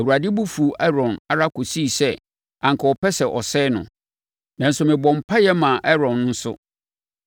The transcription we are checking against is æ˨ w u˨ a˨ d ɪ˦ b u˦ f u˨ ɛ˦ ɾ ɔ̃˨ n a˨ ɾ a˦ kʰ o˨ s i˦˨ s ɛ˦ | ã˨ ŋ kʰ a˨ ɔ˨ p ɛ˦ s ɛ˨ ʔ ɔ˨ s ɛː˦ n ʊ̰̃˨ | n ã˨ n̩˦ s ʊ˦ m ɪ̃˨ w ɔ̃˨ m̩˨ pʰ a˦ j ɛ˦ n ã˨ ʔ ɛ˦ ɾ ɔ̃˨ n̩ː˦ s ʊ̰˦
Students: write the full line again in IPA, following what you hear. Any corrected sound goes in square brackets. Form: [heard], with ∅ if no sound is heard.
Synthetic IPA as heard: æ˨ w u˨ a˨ d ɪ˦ b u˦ f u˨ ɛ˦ ɾ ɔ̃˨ n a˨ ɾ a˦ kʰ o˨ s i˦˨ s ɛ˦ | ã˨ ŋ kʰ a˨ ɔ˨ p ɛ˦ s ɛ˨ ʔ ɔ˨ s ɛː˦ n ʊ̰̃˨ | n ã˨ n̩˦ s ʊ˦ m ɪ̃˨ [b] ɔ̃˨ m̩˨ pʰ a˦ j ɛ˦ [m] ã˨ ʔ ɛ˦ ɾ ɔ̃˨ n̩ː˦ s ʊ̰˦